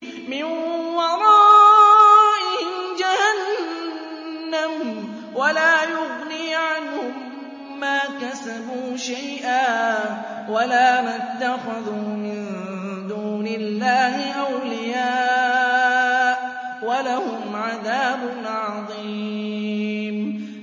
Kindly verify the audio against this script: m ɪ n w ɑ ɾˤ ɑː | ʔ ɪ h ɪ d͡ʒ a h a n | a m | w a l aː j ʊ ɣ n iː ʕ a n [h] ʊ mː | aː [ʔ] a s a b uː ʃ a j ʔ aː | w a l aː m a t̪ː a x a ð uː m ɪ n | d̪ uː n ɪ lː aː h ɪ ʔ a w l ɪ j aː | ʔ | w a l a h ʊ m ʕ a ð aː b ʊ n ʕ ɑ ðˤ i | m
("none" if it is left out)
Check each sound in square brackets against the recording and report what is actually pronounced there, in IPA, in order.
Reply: h, k

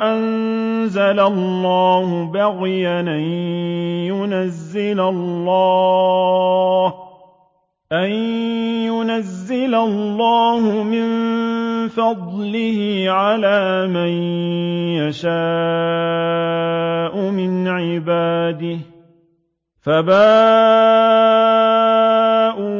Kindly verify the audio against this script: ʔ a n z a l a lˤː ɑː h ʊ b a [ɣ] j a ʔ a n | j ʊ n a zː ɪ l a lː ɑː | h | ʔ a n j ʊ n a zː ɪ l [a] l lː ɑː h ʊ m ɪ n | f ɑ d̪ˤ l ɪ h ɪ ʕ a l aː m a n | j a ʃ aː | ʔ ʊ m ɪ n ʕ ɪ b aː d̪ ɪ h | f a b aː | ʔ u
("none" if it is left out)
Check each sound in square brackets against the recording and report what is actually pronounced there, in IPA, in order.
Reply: ɣ, a

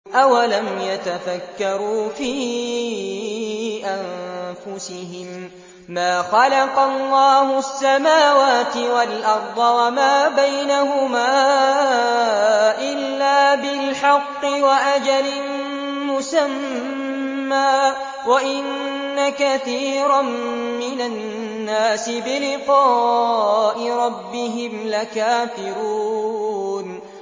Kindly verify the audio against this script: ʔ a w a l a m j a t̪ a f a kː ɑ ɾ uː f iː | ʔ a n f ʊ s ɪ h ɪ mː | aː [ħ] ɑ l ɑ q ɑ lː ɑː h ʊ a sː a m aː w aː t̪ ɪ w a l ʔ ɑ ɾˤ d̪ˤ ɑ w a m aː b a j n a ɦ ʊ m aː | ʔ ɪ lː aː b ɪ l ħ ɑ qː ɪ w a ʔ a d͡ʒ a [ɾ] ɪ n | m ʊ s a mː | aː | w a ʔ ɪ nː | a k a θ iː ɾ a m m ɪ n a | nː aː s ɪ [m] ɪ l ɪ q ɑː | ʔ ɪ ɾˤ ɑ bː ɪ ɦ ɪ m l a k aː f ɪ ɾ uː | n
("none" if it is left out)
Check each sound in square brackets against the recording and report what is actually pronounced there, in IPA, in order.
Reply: x, l, b

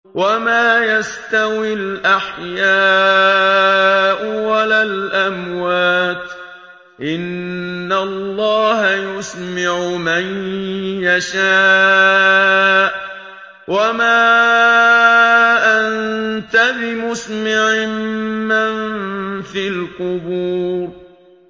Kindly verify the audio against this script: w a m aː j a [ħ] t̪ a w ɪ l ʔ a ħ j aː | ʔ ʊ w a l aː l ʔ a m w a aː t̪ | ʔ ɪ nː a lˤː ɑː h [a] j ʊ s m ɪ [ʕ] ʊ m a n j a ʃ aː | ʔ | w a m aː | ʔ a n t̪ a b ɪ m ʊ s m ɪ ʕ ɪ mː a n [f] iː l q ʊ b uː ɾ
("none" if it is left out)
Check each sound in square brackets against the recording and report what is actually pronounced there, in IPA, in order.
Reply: s, a, ʕ, f

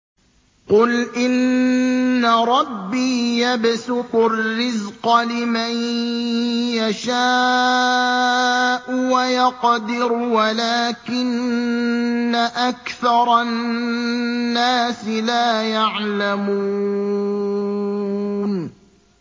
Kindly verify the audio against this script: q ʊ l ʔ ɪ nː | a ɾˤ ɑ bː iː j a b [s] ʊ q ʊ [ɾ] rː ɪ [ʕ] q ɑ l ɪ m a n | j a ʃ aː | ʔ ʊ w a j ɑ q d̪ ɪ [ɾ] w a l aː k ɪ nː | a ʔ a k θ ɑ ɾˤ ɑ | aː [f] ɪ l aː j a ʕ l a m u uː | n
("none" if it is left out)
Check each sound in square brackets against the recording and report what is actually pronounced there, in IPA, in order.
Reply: s, r, z, ɾ, s

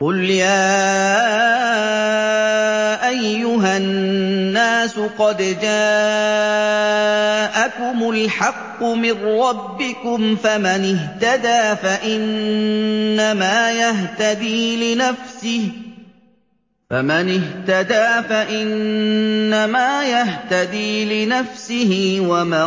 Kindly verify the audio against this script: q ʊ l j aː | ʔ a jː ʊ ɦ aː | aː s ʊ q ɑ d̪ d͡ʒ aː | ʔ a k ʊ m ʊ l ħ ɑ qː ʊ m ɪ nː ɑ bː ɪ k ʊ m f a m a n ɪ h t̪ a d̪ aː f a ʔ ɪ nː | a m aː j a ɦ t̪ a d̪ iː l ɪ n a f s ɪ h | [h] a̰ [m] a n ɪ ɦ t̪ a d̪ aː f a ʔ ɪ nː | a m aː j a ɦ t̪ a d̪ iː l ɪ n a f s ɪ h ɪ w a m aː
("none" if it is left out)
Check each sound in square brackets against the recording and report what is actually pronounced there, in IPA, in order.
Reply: f, m

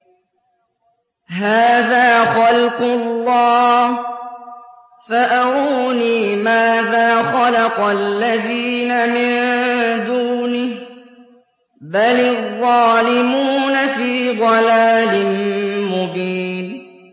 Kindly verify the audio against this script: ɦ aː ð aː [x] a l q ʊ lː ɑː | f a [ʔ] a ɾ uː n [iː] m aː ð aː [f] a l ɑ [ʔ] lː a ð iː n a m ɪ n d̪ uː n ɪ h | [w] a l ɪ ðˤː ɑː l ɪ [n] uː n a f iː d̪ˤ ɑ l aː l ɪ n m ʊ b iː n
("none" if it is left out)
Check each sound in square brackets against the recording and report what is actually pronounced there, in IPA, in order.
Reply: x, ʔ, iː, x, q, b, m

